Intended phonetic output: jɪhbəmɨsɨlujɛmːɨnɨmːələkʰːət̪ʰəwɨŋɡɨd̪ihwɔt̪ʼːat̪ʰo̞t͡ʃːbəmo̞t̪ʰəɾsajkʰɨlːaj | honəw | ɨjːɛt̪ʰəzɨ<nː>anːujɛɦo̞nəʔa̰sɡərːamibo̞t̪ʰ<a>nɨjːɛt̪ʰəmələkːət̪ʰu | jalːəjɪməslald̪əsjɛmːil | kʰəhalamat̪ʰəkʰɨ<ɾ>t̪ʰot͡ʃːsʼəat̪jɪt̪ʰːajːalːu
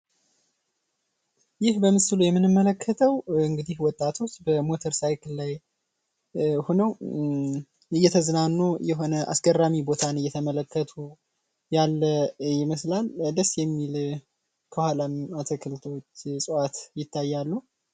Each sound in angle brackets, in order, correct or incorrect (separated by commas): incorrect, correct, incorrect